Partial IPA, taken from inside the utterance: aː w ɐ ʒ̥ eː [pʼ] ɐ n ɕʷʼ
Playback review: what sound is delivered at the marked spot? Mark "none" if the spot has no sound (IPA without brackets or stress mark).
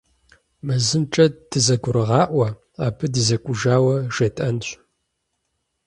tʼ